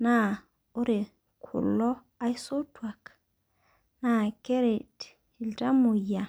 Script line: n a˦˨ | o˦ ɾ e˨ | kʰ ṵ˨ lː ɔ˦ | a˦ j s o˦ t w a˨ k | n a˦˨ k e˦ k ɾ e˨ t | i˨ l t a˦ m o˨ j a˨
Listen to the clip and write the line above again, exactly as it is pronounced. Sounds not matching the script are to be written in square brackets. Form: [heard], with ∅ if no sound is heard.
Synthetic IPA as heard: n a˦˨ | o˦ ɾ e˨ | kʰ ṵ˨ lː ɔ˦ | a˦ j s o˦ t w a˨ k | n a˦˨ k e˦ [∅] ɾ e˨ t | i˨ l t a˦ m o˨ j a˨